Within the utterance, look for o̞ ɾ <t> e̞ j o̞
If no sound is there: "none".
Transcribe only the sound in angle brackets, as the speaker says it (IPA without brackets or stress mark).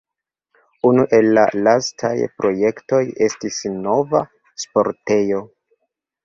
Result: t